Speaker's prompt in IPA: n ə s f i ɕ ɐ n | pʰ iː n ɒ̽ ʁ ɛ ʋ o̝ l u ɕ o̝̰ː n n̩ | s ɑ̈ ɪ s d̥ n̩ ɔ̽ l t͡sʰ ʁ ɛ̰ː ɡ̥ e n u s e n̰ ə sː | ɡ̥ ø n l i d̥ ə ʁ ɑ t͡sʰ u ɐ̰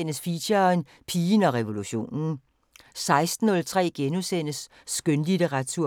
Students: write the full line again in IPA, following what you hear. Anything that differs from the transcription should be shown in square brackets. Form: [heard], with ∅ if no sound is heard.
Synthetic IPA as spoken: n ə s f i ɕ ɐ n | pʰ iː n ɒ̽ ʁ ɛ ʋ o̝ l u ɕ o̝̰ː n n̩ | s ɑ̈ ɪ s d̥ n̩ ɔ̽ l t͡sʰ ʁ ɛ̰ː ɡ̥ e n u s e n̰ ə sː | ɡ̥ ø n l i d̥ ə ʁ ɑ t͡sʰ u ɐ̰